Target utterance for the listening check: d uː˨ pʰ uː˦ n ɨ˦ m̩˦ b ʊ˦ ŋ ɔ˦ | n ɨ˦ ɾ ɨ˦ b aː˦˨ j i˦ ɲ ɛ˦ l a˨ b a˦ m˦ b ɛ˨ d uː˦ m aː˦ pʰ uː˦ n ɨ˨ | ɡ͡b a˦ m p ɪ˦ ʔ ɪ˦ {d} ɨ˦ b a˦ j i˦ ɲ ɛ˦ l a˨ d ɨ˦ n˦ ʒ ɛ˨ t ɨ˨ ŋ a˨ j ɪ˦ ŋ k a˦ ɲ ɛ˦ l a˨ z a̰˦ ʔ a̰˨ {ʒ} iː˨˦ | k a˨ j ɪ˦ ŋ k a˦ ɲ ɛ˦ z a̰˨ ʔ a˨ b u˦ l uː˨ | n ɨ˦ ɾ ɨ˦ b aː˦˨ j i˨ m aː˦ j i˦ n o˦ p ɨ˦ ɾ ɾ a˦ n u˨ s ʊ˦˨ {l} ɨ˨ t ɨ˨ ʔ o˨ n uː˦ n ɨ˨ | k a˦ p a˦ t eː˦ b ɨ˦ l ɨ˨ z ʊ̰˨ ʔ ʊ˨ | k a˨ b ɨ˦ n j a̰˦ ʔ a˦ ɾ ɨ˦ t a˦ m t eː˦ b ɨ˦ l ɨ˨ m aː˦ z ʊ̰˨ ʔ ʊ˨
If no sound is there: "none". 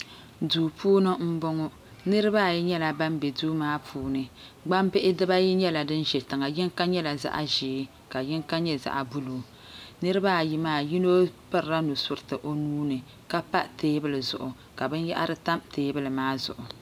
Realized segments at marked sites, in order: d, ʒ, ɾ

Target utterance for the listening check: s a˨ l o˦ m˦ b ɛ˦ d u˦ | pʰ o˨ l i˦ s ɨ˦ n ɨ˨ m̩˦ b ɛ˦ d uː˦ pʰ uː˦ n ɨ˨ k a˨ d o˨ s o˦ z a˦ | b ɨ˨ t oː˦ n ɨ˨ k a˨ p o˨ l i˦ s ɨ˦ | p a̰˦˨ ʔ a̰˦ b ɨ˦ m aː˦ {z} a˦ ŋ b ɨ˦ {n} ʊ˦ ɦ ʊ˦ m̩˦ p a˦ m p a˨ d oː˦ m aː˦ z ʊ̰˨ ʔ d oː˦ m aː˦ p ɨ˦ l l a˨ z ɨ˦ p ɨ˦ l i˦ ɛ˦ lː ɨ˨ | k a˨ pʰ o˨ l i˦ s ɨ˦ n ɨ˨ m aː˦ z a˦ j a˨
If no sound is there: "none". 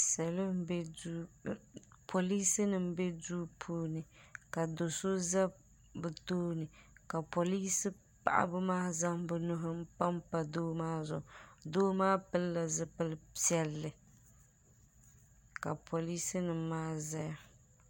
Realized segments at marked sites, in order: z, n

